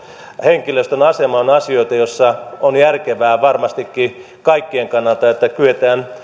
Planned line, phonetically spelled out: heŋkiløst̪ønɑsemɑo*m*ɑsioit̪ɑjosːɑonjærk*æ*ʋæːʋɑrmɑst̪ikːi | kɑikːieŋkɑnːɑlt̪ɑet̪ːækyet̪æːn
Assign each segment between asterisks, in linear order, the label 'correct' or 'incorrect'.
incorrect: n, incorrect: e

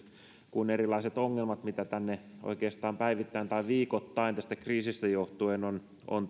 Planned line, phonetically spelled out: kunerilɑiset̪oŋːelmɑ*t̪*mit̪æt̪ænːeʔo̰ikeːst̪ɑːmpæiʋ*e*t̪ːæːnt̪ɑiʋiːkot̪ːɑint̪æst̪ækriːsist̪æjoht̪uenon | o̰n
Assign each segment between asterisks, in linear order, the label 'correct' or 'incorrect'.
correct, incorrect: i

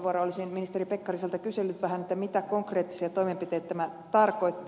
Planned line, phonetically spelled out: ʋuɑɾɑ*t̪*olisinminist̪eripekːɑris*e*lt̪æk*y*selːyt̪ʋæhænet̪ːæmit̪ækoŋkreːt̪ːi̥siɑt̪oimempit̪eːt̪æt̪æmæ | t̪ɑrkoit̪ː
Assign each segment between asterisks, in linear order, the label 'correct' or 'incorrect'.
incorrect: none, correct, correct

